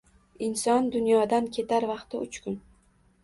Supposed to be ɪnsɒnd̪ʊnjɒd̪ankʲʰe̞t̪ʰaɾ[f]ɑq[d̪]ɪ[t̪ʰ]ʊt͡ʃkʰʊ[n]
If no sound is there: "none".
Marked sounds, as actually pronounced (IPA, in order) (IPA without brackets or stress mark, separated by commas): v, t̪, none, n